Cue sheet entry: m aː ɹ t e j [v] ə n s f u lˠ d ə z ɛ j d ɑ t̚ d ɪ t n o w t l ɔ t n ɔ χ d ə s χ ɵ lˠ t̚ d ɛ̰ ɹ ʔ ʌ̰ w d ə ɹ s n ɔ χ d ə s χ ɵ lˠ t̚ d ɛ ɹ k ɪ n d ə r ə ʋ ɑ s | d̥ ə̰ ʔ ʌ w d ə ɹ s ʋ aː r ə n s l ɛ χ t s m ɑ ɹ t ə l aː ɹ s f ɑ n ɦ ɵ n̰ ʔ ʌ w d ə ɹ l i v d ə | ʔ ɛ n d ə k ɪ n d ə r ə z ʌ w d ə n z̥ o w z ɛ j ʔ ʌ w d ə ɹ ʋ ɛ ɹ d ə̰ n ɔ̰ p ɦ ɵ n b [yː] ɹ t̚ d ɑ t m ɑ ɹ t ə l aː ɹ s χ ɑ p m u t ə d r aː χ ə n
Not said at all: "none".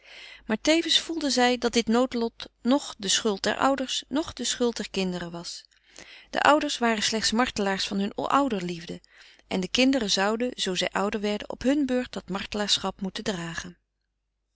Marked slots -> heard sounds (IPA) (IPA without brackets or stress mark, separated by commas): v, øː